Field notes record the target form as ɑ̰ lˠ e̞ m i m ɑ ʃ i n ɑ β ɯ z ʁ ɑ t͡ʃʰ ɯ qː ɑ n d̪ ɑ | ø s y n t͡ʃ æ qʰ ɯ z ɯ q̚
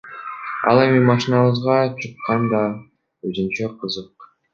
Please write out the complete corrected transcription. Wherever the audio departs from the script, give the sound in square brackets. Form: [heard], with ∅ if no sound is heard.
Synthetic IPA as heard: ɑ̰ lˠ e̞ m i m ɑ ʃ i n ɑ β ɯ z ʁ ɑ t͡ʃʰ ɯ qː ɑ n d̪ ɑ | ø [z] y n t͡ʃ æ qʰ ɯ z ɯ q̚